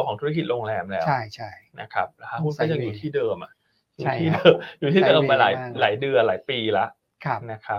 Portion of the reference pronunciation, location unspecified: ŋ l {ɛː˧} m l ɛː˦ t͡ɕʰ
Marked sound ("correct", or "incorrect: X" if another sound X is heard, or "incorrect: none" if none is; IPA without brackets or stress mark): correct